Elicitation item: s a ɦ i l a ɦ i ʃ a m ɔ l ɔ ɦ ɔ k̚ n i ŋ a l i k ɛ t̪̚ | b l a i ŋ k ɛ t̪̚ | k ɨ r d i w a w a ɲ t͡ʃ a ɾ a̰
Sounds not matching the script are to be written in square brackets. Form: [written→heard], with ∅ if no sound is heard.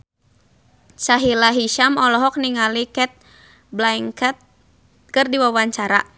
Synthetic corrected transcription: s a ɦ i l a ɦ i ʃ a m ɔ l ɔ ɦ ɔ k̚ n i ŋ a l i k ɛ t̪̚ | b l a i ŋ k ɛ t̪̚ | k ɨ r d i w a w a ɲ t͡ʃ a ɾ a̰